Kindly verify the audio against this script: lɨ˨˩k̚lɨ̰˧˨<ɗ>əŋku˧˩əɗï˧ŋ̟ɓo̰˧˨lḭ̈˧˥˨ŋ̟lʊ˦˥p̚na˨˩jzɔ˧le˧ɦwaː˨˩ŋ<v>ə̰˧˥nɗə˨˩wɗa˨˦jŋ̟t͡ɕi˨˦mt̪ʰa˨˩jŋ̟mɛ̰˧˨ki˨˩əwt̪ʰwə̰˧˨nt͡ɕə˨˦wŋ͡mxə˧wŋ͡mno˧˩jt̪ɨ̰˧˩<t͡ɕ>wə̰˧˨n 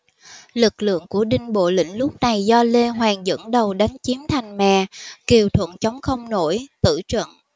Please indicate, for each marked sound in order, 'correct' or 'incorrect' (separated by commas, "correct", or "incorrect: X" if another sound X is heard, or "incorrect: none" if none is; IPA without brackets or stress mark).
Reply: incorrect: none, incorrect: z, correct